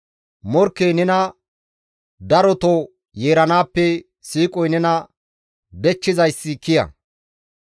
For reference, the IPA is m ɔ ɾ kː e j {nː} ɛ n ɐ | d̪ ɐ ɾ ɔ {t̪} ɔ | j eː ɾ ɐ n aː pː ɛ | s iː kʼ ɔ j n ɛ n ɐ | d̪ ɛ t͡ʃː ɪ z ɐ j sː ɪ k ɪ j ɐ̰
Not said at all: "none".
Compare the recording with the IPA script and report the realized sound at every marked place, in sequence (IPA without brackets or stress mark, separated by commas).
n, t̪